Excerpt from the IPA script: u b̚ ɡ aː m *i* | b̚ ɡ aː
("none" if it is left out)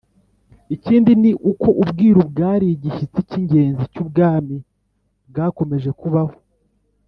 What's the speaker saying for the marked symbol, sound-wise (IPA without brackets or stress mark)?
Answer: i